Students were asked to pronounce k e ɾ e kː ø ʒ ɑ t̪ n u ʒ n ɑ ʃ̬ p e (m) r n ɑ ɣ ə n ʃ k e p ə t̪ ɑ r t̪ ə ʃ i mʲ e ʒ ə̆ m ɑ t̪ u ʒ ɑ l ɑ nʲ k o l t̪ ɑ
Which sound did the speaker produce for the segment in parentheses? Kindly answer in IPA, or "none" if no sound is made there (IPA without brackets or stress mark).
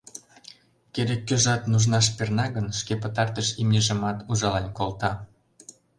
none